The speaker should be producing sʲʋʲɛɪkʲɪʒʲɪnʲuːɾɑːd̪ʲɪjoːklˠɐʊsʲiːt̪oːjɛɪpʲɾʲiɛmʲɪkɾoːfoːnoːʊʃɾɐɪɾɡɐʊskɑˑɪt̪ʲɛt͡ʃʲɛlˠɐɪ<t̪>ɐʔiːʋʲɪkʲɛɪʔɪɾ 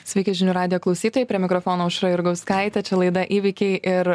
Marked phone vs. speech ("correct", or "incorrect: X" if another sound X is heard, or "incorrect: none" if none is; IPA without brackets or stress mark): incorrect: d̪